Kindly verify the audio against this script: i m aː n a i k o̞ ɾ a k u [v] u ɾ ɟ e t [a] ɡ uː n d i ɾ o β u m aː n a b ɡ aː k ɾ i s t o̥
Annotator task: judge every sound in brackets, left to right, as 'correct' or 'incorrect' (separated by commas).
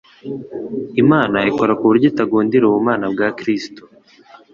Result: incorrect, correct